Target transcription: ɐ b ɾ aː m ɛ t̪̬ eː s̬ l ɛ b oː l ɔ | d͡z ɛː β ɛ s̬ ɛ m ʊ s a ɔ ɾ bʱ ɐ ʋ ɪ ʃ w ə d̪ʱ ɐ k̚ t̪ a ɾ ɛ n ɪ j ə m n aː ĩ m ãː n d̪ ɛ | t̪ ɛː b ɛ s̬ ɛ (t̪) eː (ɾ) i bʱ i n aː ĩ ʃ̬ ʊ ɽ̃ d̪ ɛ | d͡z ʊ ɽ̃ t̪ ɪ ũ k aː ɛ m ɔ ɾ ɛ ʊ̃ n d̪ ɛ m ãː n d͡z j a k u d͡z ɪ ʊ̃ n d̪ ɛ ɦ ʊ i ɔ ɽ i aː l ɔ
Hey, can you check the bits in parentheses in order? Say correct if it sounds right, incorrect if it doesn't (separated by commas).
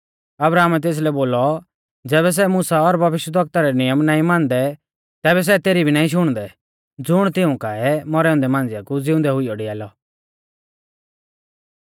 correct, correct